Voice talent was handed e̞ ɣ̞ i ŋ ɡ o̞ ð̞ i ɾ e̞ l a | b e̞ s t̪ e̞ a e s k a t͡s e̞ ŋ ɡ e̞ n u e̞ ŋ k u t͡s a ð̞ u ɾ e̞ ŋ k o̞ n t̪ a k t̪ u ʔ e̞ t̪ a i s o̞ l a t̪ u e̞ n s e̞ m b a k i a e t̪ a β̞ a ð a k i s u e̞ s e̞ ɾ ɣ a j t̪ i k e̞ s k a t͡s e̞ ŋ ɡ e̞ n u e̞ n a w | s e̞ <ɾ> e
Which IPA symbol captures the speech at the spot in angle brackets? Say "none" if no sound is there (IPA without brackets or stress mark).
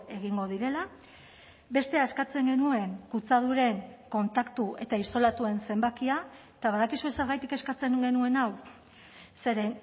ɾ